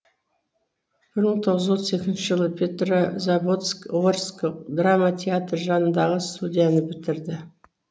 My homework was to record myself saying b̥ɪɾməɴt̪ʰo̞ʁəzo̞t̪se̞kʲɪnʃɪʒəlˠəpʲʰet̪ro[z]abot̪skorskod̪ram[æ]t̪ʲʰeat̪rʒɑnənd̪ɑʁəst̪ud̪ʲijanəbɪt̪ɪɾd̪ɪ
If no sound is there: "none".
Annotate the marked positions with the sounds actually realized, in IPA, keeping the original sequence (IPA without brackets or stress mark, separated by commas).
z, a